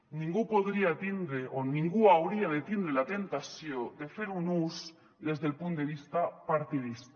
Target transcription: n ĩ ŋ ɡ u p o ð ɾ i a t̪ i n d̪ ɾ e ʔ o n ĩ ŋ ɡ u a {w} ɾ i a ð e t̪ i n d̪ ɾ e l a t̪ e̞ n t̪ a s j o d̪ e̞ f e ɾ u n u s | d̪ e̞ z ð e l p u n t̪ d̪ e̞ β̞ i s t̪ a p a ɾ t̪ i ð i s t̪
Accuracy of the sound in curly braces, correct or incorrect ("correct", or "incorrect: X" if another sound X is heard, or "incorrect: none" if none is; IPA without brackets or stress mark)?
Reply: correct